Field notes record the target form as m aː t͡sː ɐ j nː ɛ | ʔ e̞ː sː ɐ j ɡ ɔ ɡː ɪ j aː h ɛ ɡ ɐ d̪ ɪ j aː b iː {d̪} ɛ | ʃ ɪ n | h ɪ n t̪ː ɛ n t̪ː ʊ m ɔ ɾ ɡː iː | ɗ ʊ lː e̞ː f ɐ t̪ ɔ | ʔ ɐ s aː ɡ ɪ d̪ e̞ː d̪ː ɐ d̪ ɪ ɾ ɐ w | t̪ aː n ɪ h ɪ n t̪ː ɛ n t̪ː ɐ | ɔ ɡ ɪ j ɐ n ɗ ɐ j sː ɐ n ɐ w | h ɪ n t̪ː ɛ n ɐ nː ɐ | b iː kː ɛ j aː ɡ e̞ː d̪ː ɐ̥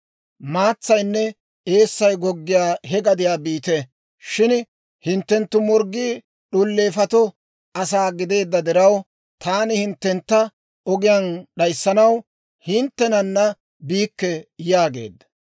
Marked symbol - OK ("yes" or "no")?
no